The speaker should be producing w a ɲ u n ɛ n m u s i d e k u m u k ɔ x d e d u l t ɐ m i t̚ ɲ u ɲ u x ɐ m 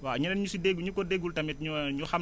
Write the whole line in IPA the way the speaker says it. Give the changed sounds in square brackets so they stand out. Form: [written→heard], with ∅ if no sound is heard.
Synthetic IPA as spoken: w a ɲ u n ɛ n [m→ɲ] u s i d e [k→ɡ] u [m→ɲ] u k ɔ [x→∅] d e [d→ɡ] u l t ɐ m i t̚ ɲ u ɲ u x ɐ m